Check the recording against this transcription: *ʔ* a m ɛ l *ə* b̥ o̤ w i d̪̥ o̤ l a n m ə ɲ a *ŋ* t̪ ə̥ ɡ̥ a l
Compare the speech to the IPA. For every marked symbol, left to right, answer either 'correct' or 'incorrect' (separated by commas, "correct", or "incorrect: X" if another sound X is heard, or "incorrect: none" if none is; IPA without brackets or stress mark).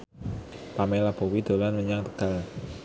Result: incorrect: p, incorrect: a, correct